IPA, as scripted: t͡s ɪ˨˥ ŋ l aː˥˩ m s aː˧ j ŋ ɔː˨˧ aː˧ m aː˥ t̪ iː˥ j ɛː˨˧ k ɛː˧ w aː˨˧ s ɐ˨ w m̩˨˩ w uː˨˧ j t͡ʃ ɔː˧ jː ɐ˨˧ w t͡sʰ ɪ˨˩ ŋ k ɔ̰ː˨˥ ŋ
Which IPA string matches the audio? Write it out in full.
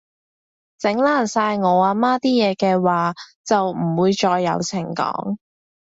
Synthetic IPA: t͡s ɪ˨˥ ŋ l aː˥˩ n s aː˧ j ŋ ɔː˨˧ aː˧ m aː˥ t̪ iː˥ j ɛː˨˧ k ɛː˧ w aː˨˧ t͡s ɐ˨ w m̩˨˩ w uː˨˧ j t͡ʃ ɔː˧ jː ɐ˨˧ w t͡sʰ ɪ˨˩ ŋ k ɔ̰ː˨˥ ŋ